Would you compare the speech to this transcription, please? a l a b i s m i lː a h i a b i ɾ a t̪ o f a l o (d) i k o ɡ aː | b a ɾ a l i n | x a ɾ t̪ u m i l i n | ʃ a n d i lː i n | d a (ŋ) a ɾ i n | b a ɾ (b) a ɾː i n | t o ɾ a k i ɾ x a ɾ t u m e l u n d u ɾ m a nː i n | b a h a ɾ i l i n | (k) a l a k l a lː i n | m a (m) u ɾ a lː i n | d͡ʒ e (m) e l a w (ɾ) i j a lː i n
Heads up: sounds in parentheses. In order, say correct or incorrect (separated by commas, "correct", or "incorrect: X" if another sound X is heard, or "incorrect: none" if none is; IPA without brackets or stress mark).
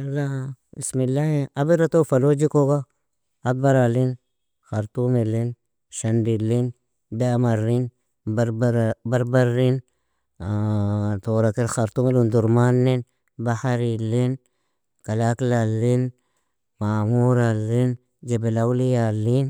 incorrect: d͡ʒ, incorrect: m, correct, correct, correct, incorrect: b, incorrect: l